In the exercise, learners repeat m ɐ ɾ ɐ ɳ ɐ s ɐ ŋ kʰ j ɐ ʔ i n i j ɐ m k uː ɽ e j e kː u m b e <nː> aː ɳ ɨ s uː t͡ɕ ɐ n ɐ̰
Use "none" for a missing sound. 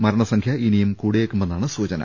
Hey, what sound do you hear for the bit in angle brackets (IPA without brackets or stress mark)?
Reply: nː